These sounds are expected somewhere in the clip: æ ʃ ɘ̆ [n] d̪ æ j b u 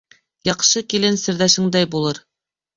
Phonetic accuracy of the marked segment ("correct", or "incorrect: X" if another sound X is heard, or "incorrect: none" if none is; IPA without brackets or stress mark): incorrect: ŋ